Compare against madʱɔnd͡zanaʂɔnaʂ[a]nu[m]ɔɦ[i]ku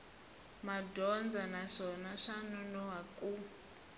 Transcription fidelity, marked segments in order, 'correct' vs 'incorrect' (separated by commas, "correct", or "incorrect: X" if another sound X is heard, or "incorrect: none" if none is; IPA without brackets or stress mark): correct, incorrect: n, incorrect: a